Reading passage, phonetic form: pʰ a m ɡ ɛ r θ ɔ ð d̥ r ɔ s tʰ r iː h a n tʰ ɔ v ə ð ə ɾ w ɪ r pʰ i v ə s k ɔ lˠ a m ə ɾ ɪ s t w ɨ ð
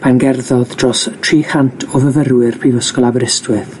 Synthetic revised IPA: pʰ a n ɡ ɛ r ð ɔ ð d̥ r ɔ s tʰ r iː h a n tʰ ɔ v ə v ə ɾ w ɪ r pʰ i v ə s k ɔ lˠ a b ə ɾ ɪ s t w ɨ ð